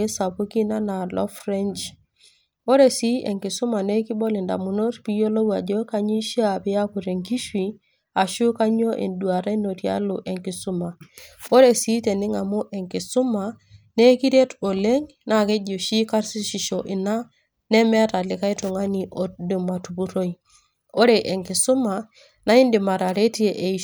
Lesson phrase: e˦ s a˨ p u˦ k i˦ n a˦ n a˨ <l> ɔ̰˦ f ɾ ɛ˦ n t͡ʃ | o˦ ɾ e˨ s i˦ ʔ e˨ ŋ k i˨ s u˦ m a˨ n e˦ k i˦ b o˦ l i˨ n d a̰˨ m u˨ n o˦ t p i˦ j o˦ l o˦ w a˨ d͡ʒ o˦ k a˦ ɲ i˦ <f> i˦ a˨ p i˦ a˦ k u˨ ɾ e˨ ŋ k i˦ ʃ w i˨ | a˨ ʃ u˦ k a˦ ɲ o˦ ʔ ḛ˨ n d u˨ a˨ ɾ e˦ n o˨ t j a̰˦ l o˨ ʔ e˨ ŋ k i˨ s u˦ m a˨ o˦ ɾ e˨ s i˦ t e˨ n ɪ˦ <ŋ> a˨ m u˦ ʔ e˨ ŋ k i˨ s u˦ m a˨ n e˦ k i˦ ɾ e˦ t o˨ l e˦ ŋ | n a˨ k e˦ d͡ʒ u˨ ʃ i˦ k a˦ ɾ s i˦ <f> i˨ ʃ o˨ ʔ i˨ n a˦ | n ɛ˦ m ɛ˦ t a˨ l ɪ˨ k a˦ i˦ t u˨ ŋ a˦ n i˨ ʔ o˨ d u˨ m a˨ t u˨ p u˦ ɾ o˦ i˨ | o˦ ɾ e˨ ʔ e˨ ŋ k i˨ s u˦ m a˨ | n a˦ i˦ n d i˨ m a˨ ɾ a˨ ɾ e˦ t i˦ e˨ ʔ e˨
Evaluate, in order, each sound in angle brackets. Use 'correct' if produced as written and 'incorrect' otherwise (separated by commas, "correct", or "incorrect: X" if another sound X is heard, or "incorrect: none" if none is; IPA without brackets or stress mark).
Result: correct, incorrect: ʃ, correct, incorrect: ʃ